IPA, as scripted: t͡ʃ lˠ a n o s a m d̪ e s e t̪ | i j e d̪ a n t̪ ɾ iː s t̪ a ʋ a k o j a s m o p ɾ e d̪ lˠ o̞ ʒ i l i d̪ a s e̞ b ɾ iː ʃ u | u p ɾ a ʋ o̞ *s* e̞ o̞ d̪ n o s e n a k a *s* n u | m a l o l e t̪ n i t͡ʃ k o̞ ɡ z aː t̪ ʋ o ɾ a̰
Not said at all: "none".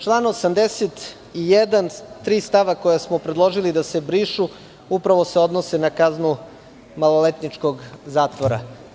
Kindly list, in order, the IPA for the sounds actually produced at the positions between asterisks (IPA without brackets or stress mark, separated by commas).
s, z